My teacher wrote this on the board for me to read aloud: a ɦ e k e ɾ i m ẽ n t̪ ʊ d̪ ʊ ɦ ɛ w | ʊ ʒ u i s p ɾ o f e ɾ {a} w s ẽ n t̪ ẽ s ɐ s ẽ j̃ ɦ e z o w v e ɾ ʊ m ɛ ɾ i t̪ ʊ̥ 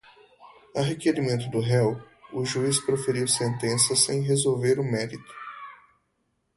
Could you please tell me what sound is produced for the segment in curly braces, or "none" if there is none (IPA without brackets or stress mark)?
i